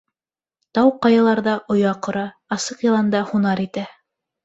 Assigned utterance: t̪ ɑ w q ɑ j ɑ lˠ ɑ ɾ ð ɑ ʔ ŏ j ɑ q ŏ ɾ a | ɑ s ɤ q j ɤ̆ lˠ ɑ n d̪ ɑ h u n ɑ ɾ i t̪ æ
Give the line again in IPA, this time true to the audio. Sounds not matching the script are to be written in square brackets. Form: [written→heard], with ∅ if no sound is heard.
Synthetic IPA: t̪ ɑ w q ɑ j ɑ lˠ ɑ ɾ ð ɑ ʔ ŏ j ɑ q ŏ ɾ [a→ɑ] | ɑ s ɤ q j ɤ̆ lˠ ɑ n d̪ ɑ h u n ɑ ɾ i t̪ æ